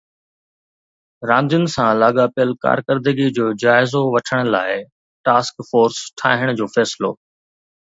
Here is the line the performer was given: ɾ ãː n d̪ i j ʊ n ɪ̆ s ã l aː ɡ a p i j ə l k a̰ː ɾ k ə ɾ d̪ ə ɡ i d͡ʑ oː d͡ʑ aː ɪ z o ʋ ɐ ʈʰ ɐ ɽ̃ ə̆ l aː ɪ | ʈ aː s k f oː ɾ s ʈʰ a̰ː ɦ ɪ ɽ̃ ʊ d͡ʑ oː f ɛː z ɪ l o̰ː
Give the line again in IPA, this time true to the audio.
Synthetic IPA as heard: ɾ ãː n d̪ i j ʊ n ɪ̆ s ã l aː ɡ a p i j ə l k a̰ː ɾ k ə ɾ d̪ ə ɡ i d͡ʑ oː d͡ʑ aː ɪ z o ʋ ɐ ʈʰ ə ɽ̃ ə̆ l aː ɪ | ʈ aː s k f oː ɾ s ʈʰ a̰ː ɦ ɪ ɽ̃ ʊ d͡ʑ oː f ɛː s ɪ l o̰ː